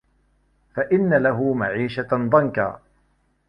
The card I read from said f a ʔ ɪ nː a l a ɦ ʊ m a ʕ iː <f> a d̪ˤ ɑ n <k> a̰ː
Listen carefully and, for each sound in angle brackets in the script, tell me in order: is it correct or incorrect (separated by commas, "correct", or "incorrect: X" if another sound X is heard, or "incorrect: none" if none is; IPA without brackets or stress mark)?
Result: incorrect: ʃ, correct